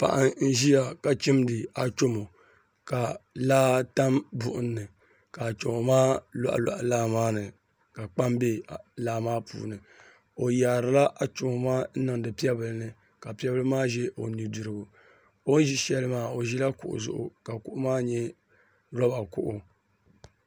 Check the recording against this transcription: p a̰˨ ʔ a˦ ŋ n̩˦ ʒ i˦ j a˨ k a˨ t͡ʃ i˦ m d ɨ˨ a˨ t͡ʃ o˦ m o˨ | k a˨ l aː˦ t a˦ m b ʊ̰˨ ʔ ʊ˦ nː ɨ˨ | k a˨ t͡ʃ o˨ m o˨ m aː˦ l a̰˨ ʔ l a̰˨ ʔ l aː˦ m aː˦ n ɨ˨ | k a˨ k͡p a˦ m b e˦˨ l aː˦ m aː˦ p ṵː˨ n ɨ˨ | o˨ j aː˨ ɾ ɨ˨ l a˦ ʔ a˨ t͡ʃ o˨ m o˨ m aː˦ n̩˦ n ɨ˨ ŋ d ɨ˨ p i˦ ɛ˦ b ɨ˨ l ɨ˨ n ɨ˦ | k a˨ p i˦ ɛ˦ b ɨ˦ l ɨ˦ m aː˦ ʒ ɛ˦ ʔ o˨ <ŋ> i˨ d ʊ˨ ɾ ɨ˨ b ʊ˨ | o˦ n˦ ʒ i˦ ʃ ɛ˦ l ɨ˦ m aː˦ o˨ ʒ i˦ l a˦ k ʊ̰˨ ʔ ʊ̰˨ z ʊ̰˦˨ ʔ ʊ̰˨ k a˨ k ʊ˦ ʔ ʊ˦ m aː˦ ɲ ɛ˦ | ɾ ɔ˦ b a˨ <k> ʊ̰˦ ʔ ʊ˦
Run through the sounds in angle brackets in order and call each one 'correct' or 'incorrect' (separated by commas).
incorrect, correct